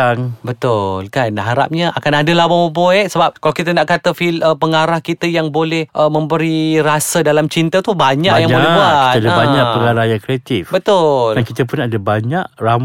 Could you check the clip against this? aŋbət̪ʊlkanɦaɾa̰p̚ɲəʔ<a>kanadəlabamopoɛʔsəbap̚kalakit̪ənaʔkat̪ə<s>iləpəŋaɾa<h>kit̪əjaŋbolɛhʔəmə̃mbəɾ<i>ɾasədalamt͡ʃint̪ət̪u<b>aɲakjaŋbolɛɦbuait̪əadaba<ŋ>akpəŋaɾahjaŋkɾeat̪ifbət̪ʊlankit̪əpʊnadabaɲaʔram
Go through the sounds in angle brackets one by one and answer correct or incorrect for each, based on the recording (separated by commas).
correct, incorrect, correct, correct, correct, incorrect